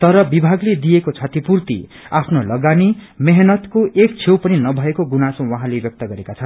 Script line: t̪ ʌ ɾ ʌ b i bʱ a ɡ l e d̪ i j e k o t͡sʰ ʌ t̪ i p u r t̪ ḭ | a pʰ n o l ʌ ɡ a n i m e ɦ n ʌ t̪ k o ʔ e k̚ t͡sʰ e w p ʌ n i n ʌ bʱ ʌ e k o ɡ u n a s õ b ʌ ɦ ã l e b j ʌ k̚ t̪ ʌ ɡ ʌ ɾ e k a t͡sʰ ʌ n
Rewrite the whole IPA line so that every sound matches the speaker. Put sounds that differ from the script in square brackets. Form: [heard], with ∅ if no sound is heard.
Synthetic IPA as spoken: t̪ ʌ ɾ ʌ b i bʱ a ɡ l e d̪ i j e k o t͡sʰ ʌ t̪ i p u r t̪ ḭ | a pʰ n o l ʌ ɡ a n i m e ɦ n ʌ t̪ k o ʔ e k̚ t͡sʰ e w p ʌ n i n ʌ bʱ ʌ e k o ɡ u n a s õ [w] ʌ ɦ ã l e b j ʌ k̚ t̪ ʌ ɡ ʌ ɾ e k a t͡sʰ ʌ n